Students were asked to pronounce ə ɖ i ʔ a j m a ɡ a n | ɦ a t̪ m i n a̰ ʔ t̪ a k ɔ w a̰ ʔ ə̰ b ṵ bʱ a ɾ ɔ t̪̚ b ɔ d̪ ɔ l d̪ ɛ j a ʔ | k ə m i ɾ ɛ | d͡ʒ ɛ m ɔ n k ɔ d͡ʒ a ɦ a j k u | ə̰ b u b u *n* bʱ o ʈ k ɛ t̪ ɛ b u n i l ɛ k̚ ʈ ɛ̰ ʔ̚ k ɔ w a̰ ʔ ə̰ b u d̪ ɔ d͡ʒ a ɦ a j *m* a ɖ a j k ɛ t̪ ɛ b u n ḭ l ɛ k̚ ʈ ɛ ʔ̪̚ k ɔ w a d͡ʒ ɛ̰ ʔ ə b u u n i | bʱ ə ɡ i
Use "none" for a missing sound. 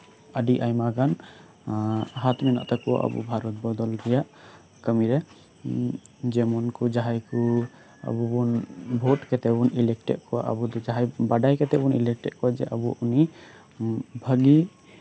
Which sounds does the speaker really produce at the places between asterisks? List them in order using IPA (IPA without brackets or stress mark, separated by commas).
n, b